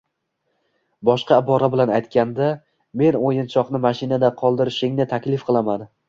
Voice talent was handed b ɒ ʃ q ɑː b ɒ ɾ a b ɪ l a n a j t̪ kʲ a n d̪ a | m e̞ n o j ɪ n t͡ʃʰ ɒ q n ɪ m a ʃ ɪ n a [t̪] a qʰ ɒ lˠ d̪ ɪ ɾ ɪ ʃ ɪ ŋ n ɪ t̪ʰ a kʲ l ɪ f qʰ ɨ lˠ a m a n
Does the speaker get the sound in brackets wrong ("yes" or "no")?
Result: yes